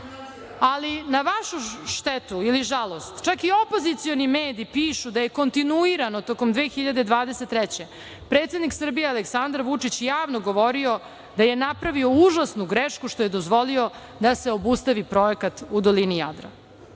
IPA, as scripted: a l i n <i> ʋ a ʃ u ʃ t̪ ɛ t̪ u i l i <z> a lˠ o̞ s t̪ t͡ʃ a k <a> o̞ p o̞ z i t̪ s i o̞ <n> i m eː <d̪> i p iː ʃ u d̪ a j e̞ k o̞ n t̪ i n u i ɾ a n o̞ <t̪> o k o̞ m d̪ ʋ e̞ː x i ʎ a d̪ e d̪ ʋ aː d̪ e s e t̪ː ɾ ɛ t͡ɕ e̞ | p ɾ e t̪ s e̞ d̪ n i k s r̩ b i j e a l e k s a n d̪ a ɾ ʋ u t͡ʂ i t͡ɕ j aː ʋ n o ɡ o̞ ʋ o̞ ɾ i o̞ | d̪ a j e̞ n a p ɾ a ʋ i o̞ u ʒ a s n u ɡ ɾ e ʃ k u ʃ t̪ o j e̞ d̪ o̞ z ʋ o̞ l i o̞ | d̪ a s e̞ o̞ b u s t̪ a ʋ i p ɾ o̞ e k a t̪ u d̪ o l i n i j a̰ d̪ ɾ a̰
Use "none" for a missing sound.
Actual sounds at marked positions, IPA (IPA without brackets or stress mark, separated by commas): a, ʒ, i, n, d̪, t̪